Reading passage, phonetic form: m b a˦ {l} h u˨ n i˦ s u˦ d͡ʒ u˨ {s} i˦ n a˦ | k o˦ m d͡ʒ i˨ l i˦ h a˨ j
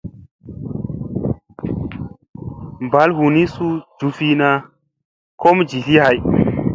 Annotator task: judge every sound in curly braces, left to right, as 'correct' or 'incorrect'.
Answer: correct, incorrect

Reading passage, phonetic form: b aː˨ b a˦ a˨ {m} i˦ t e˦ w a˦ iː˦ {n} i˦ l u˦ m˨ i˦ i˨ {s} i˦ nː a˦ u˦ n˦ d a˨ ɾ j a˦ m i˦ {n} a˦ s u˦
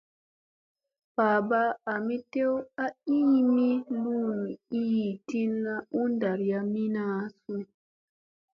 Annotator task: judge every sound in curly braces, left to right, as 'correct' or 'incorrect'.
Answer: correct, incorrect, incorrect, correct

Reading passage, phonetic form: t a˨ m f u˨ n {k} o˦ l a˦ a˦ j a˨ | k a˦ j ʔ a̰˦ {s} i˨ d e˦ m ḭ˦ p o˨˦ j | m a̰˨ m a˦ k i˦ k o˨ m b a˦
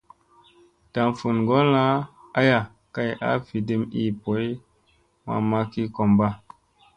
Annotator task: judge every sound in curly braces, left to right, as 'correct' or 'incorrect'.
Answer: incorrect, incorrect

